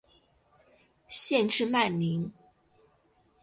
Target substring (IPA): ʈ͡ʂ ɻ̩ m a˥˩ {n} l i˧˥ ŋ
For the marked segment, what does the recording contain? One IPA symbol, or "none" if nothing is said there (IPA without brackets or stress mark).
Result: n